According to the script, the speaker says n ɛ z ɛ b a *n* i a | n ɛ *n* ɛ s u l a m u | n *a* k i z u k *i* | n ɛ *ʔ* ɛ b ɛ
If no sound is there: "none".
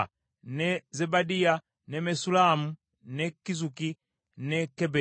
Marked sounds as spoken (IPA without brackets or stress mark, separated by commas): d, m, ɛ, i, k